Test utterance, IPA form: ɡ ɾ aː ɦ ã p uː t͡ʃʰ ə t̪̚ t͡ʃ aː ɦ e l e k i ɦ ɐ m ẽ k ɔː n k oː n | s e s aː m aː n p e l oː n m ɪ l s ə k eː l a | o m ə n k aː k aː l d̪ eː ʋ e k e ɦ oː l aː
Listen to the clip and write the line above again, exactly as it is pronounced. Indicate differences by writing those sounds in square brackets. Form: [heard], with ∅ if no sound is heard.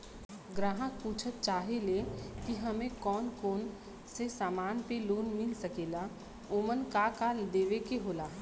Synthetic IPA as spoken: ɡ ɾ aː ɦ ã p uː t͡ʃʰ ə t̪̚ t͡ʃ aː ɦ e l e k i ɦ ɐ m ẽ k ɔː n k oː n | s e s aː m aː n p e l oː n m ɪ l s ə k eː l a | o m ə n k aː k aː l d̪ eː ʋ e k e ɦ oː l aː